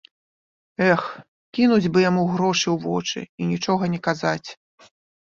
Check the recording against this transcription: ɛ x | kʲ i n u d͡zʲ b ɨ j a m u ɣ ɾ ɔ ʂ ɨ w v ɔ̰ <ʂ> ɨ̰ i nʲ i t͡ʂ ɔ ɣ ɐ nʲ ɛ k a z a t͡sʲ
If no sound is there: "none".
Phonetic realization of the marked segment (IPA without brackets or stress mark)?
t͡ʂ